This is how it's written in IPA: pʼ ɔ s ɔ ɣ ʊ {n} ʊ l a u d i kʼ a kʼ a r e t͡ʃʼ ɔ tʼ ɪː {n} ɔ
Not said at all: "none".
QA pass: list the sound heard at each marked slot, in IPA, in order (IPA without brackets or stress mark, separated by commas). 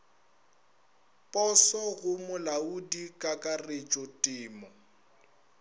m, m